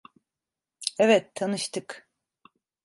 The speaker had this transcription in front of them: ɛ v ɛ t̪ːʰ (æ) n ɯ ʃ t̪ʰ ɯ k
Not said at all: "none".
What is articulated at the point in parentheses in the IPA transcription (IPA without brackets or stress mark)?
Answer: a